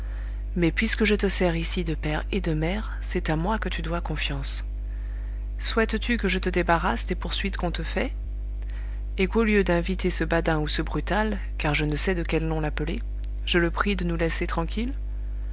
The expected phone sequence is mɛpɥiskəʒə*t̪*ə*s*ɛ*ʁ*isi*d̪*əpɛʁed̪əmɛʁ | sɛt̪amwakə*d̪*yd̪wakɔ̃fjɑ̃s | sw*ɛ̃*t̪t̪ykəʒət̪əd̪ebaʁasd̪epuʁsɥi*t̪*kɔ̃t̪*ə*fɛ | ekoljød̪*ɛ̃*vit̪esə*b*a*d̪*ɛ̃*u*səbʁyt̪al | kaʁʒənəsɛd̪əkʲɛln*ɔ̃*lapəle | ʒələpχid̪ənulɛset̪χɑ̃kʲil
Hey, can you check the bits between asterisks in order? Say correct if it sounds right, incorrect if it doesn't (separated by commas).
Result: correct, correct, correct, correct, incorrect, incorrect, correct, correct, correct, correct, correct, correct, correct